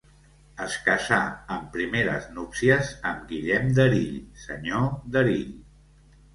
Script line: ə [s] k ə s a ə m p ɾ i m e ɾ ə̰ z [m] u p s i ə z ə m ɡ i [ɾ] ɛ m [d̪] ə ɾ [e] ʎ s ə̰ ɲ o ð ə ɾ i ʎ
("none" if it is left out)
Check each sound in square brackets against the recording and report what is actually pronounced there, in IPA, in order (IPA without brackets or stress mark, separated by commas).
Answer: s, n, ʎ, d̪, i